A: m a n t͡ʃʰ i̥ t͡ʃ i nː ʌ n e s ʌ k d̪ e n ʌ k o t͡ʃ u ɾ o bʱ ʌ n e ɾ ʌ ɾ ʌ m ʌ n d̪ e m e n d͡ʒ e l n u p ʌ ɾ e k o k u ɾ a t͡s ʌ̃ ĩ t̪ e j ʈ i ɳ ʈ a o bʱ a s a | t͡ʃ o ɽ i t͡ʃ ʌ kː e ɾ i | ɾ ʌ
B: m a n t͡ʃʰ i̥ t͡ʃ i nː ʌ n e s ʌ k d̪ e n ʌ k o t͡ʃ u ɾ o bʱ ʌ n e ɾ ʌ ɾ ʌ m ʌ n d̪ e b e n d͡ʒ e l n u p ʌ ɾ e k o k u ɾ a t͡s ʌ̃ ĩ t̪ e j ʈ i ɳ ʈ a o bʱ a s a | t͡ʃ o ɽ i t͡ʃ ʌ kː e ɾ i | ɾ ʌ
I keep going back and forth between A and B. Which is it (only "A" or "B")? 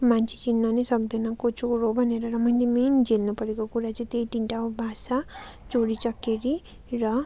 A